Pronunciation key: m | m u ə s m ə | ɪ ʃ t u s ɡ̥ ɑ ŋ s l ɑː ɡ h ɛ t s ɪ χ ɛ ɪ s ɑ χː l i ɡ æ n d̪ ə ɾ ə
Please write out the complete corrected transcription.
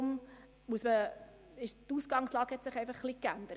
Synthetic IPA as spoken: m | m u ə s m ə | ɪ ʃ t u s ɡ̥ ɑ ŋ s l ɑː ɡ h ɛ t s ɪ χ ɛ ɪ f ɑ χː l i k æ n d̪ ə ɾ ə